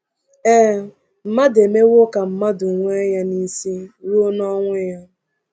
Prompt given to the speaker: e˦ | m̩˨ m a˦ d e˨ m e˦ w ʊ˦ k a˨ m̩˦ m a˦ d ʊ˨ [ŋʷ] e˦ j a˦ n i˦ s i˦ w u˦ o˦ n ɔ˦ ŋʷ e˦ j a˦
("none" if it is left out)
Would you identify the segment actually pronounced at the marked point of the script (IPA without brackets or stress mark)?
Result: ŋʷ